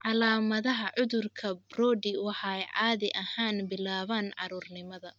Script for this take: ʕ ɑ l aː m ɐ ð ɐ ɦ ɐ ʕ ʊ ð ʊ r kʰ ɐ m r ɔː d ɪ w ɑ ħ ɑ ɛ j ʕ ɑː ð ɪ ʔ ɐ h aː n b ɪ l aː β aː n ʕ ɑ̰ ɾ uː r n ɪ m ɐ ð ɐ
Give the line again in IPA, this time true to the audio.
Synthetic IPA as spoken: ʕ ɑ l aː m ɐ ð ɐ ɦ ɐ ʕ ʊ ð ʊ r kʰ ɐ b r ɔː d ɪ w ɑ ħ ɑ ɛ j ʕ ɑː ð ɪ ʔ ɐ h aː n b ɪ l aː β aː n ʕ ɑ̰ ɾ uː r n ɪ m ɐ ð ɐ